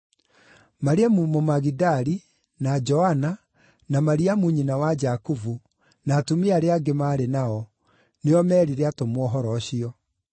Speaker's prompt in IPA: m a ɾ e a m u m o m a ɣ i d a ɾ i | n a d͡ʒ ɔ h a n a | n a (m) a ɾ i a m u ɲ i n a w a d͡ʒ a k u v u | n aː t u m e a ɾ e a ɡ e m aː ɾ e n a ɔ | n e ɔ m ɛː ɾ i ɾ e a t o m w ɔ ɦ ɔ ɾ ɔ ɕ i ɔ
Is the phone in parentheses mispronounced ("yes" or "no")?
no